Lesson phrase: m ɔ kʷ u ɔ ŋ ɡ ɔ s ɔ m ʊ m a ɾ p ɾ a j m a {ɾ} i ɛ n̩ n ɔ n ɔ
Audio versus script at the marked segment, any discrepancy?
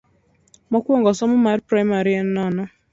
no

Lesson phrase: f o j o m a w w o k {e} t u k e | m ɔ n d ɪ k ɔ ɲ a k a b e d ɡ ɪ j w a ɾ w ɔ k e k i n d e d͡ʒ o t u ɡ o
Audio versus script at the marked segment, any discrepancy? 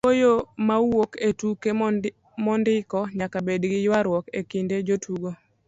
no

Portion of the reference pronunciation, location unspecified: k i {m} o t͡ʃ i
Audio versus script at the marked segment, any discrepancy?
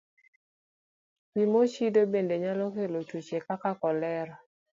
no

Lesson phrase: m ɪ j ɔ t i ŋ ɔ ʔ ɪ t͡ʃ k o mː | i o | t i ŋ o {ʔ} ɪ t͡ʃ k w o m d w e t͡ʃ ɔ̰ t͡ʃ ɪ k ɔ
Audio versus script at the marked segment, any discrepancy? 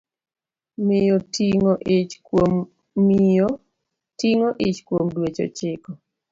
no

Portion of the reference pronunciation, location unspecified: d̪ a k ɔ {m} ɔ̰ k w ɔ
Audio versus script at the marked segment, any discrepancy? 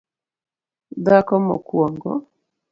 no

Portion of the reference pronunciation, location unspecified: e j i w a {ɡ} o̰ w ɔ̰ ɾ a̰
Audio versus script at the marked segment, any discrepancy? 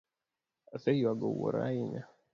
no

